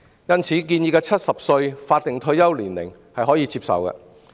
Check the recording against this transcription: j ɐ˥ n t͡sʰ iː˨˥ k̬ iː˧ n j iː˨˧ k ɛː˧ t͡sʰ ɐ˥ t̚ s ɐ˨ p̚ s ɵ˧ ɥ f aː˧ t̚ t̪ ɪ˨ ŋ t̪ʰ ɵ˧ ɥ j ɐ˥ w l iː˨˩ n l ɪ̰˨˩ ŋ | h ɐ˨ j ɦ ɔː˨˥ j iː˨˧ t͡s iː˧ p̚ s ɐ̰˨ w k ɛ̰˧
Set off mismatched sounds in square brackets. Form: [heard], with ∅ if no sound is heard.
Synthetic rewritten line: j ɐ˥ n t͡sʰ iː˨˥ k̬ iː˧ n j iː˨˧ k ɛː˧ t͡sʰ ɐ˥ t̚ s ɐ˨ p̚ s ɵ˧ ɥ f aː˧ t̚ t̪ ɪ˨ ŋ t̪ʰ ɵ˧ ɥ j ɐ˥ w l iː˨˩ n l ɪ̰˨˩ ŋ | h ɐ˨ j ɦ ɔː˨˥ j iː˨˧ t͡s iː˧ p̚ s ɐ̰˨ w k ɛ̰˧

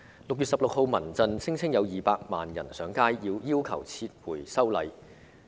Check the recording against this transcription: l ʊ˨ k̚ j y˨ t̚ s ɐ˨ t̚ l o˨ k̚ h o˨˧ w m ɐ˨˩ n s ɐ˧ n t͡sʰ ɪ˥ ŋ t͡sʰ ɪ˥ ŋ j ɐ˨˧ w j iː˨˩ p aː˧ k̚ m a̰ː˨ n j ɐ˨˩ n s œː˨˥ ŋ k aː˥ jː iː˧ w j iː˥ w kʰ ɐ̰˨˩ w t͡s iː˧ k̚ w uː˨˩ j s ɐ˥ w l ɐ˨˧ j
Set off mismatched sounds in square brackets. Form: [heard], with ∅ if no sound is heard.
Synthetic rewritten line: l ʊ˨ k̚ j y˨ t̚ s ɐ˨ [p̚] l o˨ k̚ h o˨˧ w m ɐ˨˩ n [t͡s] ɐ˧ n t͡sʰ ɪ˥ ŋ t͡sʰ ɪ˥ ŋ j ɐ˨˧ w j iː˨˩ p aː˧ k̚ m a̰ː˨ n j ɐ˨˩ n s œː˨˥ ŋ k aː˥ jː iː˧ w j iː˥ w kʰ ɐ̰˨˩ w [t͡sʰ] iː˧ [t̚] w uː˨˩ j s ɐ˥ w l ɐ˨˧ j

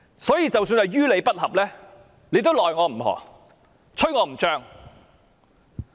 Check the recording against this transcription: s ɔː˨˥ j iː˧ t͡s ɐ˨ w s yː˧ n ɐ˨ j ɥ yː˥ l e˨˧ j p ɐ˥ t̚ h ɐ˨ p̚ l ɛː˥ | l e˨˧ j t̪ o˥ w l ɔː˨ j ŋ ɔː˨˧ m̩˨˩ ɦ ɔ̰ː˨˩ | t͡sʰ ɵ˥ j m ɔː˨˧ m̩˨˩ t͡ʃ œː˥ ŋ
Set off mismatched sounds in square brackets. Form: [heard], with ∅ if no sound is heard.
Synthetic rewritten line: s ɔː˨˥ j iː˧ t͡s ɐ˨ w s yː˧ n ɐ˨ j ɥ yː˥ l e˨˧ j p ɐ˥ t̚ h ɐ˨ p̚ l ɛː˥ | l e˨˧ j t̪ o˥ w l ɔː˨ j ŋ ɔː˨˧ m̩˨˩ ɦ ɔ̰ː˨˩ | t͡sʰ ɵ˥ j [ŋ] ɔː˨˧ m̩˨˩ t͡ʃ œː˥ ŋ

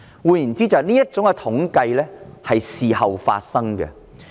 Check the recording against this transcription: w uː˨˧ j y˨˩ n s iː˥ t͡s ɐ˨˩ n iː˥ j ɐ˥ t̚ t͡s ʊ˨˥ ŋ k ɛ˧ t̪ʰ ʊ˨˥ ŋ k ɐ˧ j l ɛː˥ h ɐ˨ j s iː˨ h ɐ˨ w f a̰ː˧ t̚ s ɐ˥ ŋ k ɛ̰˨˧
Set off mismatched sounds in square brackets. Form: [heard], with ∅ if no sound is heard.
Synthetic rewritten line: w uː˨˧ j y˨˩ n [t͡s] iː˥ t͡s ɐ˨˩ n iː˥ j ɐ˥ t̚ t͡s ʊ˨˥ ŋ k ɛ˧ t̪ʰ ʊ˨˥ ŋ k ɐ˧ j l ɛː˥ h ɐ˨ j s iː˨ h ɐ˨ w f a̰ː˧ t̚ s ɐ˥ ŋ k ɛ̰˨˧

